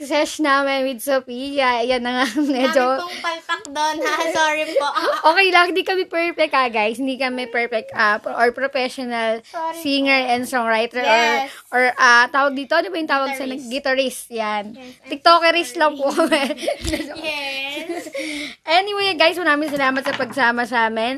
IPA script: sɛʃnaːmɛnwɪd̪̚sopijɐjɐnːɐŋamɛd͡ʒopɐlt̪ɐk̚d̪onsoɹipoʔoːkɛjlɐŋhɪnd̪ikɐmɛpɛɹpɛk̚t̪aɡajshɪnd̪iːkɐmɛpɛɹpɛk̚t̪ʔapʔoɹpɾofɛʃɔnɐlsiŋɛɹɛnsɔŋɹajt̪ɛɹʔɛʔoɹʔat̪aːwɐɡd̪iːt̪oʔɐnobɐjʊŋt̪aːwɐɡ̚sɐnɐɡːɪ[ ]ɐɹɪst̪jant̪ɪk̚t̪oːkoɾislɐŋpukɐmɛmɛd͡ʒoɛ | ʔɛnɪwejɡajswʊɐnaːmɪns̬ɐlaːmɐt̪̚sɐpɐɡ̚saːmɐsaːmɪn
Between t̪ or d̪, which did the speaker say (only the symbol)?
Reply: t̪